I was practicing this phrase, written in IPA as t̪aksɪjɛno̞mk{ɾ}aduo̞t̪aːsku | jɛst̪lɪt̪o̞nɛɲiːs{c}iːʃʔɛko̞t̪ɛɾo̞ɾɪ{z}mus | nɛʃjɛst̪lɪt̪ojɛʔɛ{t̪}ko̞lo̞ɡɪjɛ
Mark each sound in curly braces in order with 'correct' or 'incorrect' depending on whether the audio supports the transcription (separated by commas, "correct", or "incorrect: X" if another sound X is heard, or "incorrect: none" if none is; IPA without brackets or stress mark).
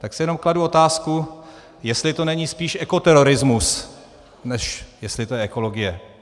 incorrect: l, incorrect: p, correct, incorrect: none